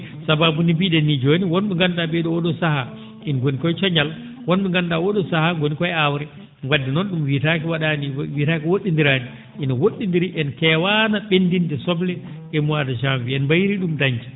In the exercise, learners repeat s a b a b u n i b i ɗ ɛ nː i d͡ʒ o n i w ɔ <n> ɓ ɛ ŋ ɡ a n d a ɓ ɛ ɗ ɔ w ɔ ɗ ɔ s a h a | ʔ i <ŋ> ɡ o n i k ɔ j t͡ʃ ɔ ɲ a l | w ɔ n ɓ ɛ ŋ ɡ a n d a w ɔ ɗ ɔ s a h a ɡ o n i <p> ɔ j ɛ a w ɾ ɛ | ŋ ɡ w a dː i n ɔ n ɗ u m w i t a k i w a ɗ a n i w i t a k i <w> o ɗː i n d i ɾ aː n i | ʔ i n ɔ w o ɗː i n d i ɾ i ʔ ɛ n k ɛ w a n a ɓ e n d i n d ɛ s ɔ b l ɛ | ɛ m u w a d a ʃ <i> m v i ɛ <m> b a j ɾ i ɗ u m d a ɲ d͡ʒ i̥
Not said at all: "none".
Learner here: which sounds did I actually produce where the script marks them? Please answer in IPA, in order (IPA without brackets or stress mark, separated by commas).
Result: n, n, k, w, a, n